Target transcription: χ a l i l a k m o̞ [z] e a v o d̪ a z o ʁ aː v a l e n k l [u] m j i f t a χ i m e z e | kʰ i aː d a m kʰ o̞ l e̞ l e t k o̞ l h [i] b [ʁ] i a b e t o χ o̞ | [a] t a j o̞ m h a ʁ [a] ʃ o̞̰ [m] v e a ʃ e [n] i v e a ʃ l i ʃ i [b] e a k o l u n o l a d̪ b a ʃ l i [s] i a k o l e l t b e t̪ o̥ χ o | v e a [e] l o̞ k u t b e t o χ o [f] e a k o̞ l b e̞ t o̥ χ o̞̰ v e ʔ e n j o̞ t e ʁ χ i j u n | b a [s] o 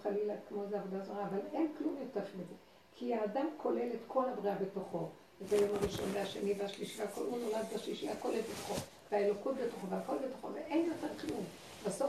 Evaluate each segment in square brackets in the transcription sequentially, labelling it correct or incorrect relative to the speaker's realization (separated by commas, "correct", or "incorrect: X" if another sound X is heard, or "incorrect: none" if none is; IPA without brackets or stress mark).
correct, correct, incorrect: a, correct, incorrect: e, incorrect: i, incorrect: n, correct, incorrect: v, incorrect: ʃ, correct, incorrect: v, correct